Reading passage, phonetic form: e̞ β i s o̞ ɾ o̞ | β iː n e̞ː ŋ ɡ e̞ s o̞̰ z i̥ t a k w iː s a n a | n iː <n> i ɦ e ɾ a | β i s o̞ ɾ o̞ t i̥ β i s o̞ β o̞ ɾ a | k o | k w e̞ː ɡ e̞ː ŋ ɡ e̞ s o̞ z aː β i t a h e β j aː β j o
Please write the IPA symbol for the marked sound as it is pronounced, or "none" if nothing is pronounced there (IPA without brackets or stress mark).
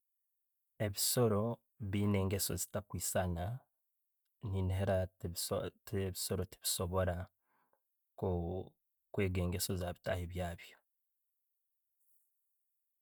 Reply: n